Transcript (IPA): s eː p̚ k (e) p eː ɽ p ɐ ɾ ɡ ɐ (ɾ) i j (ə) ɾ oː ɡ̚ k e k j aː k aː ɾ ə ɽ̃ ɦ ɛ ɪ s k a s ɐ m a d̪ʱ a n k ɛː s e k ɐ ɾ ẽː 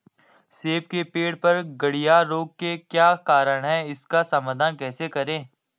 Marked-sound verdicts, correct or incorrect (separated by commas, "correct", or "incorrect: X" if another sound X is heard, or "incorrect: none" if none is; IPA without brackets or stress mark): correct, incorrect: ɽ, incorrect: a